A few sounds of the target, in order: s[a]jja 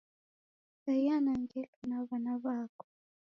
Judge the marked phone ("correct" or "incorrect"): correct